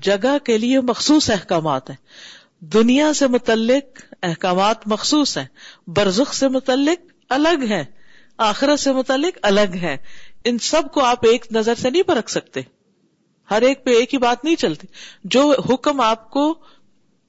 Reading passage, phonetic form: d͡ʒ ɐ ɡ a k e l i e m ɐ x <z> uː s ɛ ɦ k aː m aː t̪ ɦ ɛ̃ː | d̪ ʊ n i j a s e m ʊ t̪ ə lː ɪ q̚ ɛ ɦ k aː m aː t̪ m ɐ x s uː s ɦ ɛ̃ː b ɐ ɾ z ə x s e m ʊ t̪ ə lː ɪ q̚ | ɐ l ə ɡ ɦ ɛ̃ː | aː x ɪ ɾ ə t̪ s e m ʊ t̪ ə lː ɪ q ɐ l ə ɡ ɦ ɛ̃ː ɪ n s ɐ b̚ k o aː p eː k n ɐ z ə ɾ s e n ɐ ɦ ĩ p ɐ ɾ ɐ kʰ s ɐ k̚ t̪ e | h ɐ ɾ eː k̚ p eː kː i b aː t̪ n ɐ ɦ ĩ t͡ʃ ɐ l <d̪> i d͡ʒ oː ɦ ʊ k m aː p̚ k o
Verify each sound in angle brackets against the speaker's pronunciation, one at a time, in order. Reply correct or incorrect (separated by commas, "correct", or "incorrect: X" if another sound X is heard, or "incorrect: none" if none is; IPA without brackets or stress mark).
incorrect: s, incorrect: t̪